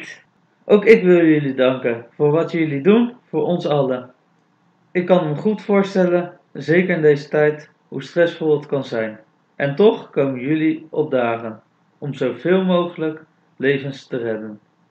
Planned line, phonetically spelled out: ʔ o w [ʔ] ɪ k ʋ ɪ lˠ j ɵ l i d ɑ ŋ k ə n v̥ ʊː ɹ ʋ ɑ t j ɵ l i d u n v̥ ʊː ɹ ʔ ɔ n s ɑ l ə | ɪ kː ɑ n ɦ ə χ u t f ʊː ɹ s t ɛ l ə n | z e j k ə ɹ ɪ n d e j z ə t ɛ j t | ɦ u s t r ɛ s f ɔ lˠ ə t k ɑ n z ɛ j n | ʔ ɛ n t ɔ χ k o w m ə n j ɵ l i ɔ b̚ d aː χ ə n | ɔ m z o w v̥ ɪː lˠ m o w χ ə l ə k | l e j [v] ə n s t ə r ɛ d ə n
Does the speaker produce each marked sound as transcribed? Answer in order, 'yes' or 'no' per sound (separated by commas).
no, yes